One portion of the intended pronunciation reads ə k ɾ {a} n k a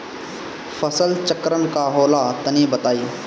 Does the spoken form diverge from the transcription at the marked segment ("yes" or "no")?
yes